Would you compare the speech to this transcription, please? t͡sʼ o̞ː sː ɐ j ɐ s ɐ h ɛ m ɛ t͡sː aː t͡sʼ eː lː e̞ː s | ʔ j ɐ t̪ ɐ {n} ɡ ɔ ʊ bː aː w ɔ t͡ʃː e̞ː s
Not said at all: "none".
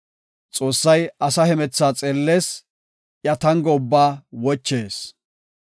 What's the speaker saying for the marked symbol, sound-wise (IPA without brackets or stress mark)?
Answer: ŋ